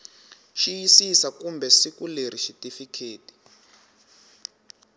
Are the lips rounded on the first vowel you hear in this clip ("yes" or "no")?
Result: no